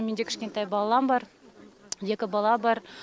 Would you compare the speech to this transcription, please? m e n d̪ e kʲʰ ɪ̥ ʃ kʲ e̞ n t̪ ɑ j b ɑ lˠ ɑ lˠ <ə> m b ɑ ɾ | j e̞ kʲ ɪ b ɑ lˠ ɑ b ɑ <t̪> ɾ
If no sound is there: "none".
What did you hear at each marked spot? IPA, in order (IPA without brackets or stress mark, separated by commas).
ɑ, none